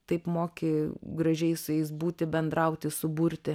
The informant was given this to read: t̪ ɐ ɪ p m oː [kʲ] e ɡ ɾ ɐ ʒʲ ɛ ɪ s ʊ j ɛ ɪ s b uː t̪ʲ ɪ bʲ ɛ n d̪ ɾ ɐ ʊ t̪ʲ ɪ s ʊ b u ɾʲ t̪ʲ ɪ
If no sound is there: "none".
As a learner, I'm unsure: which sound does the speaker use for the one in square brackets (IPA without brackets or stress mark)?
kʲ